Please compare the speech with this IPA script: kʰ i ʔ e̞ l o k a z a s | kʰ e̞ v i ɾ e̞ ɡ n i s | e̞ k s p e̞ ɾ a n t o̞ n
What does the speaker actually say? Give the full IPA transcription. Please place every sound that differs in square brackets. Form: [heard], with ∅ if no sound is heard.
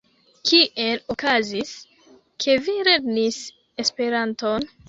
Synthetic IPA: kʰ i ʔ e̞ l o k a z [i] s | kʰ e̞ v i ɾ e̞ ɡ n i s | e̞ [∅] s p e̞ ɾ a n t o̞ n